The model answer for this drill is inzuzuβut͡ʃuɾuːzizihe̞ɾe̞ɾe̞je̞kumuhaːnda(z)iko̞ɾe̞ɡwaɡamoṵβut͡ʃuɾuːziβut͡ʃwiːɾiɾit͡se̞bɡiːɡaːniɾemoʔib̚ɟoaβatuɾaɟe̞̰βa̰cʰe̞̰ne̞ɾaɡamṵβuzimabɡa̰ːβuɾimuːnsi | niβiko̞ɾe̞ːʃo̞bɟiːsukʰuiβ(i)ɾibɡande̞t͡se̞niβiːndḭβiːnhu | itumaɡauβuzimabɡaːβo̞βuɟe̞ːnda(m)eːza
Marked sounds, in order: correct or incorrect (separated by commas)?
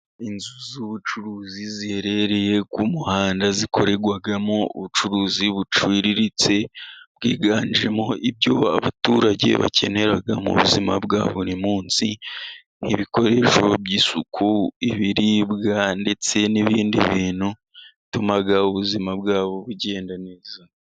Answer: correct, correct, incorrect